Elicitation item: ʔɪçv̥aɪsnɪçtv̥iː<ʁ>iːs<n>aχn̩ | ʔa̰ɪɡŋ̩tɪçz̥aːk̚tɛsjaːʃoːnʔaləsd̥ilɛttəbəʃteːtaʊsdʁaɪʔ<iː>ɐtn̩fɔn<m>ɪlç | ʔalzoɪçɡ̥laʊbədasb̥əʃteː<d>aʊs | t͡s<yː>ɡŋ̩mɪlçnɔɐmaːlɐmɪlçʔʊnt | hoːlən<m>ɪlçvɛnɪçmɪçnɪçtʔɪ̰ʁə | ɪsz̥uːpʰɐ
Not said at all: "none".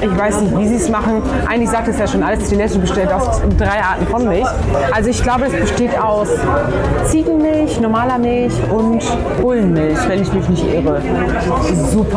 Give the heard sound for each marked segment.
z, m, aː, m, t, iː, m

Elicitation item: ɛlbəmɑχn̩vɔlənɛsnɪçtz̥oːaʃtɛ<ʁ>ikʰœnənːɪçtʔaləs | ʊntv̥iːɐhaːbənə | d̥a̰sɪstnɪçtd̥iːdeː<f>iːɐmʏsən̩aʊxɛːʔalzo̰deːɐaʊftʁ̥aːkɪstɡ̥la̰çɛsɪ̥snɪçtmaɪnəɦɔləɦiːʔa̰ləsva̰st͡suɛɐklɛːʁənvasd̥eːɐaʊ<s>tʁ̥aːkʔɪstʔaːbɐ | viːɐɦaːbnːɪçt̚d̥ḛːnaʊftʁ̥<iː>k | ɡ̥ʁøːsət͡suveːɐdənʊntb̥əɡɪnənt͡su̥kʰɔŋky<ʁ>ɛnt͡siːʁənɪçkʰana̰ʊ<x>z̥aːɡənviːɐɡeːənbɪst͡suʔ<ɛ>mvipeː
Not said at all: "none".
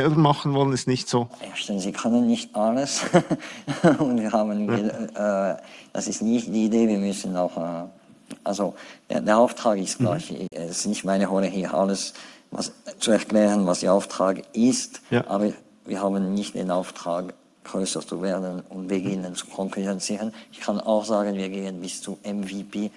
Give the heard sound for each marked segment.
z, v, f, aː, ʁ, x, ɛ

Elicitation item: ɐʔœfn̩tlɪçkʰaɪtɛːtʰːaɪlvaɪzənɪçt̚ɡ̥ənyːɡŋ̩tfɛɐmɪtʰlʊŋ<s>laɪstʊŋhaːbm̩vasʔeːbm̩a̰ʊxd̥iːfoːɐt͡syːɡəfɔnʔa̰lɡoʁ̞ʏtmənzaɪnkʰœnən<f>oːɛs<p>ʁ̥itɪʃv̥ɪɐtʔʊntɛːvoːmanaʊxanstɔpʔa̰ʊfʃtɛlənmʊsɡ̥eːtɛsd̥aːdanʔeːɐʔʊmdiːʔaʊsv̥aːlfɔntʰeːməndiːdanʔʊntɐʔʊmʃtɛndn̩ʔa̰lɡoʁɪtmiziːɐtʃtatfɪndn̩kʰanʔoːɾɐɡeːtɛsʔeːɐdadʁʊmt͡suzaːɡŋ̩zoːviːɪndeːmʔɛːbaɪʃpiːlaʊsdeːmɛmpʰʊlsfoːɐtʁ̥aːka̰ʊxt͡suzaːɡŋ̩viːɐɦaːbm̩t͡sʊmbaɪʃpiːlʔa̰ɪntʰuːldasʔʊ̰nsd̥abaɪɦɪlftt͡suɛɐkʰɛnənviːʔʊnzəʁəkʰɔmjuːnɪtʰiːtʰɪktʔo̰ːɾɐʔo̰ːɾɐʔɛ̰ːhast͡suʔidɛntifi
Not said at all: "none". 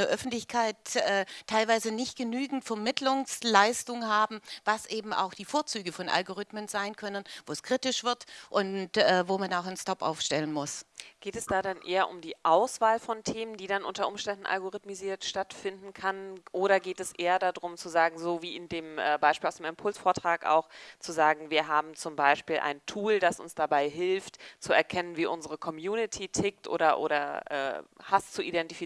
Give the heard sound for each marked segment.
s, v, k

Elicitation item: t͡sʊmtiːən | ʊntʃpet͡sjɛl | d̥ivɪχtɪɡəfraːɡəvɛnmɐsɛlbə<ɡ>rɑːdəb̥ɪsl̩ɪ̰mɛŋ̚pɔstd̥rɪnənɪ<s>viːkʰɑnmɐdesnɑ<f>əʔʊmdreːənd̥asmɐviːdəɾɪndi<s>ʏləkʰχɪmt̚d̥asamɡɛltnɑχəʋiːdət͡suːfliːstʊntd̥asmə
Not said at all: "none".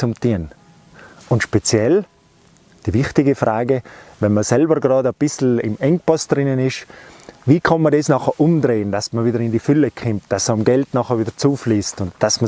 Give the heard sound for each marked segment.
ɡ, ʃ, χ, f

